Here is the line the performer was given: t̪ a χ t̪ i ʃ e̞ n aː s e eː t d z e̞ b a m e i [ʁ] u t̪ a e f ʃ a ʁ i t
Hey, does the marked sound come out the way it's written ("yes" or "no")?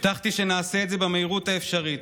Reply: yes